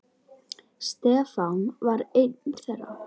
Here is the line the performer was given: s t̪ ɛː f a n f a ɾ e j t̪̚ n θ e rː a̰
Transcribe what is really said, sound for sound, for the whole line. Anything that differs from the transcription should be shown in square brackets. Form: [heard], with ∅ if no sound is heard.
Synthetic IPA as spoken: s t̪ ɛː f a n [v] a ɾ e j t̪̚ n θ [ɛ] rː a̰